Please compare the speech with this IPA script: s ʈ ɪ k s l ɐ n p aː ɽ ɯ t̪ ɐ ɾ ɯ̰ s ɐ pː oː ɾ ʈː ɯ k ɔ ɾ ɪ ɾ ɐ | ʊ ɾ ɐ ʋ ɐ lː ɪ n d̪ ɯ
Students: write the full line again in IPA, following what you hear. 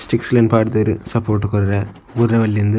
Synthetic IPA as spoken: s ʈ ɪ k s l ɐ n p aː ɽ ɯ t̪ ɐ ɾ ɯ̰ s ɐ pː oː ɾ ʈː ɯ k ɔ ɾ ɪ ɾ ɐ | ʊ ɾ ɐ ʋ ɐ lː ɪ n d̪ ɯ